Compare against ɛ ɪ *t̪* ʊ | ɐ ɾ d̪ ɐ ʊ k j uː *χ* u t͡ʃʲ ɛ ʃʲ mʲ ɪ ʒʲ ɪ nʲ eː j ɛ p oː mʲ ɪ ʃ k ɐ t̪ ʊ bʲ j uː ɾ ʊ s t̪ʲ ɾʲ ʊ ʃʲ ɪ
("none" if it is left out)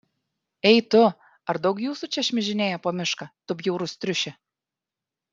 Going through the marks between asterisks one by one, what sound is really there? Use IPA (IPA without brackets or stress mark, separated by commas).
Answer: t̪, s